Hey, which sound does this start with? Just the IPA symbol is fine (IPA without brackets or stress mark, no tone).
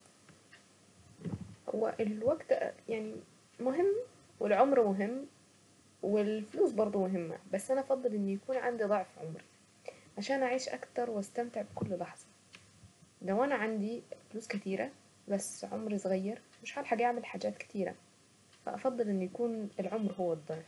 h